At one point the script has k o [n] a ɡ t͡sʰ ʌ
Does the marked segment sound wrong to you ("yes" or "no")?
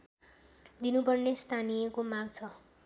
yes